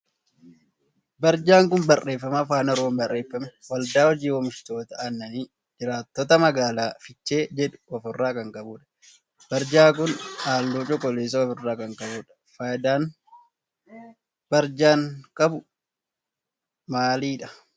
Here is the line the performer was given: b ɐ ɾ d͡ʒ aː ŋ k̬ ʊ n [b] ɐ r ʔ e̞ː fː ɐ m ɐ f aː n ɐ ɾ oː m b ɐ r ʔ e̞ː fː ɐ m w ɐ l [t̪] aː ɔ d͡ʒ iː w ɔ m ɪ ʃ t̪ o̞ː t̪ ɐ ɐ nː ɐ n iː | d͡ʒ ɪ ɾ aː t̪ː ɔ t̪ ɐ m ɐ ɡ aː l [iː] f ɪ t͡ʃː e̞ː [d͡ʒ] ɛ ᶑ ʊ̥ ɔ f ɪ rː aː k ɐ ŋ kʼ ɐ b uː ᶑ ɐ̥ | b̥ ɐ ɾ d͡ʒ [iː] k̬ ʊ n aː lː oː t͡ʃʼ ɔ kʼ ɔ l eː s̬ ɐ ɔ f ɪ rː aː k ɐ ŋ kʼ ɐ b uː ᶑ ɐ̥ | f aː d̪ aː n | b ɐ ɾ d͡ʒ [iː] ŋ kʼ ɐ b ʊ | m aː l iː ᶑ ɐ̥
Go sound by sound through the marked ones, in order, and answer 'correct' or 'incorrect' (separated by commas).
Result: correct, incorrect, incorrect, correct, incorrect, incorrect